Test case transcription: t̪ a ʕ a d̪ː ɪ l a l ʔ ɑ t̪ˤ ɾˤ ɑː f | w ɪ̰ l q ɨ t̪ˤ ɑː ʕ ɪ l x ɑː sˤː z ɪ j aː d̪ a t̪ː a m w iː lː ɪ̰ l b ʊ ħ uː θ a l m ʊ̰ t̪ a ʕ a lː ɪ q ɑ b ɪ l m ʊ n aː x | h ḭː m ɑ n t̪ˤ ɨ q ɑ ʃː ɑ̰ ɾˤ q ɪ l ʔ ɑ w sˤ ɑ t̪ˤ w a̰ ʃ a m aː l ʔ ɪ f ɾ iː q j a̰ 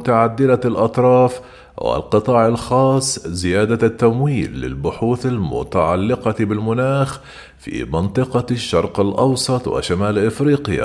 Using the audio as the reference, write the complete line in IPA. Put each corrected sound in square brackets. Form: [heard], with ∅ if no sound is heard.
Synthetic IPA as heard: t̪ a ʕ a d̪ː ɪ l a l ʔ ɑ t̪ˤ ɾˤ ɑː f | w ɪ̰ l q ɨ t̪ˤ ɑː ʕ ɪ l x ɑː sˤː z ɪ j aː d̪ a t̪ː a m w iː lː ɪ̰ l b ʊ ħ uː θ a l m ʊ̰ t̪ a ʕ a lː ɪ q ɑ b ɪ l m ʊ n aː x | [f] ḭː m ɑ n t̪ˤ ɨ q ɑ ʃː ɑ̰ ɾˤ q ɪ l ʔ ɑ w sˤ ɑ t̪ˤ w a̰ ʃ a m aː l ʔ ɪ f ɾ iː q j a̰